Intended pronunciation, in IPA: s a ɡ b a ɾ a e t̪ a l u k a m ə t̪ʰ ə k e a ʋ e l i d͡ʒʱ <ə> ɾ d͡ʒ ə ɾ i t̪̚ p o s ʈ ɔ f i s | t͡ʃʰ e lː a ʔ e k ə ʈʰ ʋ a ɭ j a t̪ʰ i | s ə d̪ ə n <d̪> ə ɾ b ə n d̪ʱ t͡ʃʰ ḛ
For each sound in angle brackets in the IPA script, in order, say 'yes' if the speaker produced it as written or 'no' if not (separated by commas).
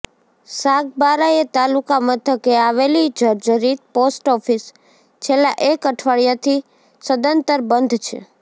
yes, no